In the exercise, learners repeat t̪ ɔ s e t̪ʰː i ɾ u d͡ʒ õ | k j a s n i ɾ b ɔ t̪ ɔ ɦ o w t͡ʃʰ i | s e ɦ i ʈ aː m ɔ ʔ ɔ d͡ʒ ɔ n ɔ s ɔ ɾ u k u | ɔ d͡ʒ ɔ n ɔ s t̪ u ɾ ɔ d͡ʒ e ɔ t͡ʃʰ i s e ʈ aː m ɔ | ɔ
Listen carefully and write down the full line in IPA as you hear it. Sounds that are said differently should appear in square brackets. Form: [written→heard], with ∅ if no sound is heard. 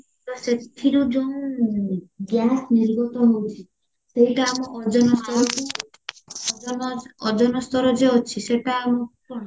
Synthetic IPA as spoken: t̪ ɔ s e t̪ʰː i ɾ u d͡ʒ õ | [k→ɡ] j a s n i ɾ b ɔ t̪ ɔ ɦ o w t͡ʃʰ i | s e ɦ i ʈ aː m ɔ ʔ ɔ d͡ʒ ɔ n ɔ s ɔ ɾ [u→ɔ] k u | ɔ d͡ʒ ɔ n ɔ s t̪ [u→ɔ] ɾ ɔ d͡ʒ e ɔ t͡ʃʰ i s e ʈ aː m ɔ | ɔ

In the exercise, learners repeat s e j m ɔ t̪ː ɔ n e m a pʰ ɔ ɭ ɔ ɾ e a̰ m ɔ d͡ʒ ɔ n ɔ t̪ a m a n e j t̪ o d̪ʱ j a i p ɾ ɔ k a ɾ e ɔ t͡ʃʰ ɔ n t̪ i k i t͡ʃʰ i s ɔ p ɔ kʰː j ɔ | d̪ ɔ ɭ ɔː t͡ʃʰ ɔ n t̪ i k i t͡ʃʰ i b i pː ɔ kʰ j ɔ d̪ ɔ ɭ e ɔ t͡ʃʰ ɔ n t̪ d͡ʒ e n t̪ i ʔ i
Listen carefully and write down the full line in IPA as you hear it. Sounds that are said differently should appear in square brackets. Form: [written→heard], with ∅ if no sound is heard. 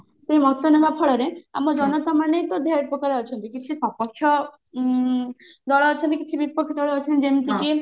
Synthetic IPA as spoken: s e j m ɔ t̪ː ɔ n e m a pʰ ɔ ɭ ɔ ɾ e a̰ m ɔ d͡ʒ ɔ n ɔ t̪ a m a n e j t̪ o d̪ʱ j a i p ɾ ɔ k a ɾ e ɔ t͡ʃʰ ɔ n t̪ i k i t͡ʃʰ i s ɔ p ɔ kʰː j ɔ | d̪ ɔ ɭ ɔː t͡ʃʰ ɔ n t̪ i k i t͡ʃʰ i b i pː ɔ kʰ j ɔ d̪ ɔ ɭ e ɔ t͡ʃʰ ɔ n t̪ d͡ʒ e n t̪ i [ʔ→k] i

